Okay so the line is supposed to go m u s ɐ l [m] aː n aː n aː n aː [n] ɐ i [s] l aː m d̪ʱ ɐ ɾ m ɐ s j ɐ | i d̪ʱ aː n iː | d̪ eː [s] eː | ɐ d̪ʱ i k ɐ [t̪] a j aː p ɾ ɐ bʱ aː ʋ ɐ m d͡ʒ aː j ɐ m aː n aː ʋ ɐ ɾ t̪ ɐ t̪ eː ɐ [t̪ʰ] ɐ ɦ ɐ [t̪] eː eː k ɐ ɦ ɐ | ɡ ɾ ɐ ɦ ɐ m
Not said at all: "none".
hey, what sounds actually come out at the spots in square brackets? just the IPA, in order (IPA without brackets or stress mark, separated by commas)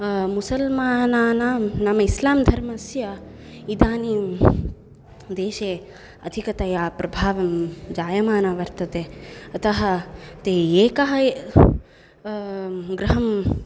m, m, s, ʃ, t̪, t̪, t̪